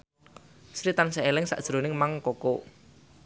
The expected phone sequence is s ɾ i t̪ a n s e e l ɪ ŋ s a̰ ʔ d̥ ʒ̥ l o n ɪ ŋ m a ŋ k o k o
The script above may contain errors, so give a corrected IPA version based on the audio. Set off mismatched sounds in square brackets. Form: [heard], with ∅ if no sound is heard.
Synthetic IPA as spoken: s ɾ i t̪ a n s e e l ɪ ŋ s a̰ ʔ d̥ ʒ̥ [ɾ] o n ɪ ŋ m a ŋ k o k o